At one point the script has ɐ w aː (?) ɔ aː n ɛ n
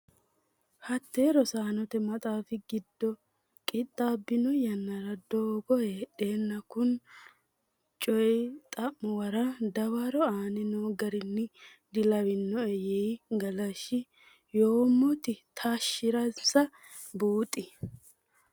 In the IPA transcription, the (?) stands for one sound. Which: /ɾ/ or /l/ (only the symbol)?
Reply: ɾ